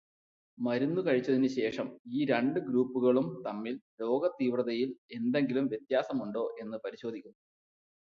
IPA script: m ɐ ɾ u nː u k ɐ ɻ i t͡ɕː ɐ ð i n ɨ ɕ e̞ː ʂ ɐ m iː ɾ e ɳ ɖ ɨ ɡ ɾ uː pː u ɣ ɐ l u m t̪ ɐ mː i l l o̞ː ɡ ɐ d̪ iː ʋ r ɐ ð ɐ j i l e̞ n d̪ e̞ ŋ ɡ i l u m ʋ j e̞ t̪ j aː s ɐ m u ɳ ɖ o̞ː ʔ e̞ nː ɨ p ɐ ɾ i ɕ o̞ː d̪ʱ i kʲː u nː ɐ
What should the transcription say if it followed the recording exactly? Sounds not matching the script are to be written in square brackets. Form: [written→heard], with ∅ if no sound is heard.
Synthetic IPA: m ɐ ɾ u nː u k ɐ ɻ i t͡ɕː ɐ ð i n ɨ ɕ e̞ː ʂ ɐ m iː ɾ e ɳ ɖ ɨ ɡ ɾ uː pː u ɣ ɐ [l→ɭ] u m t̪ ɐ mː i l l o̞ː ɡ ɐ [d̪→t̪] iː ʋ r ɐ ð ɐ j i l e̞ n d̪ e̞ ŋ ɡ i l u m ʋ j e̞ t̪ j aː s ɐ m u ɳ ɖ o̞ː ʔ e̞ nː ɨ p ɐ ɾ i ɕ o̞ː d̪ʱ i kʲː u nː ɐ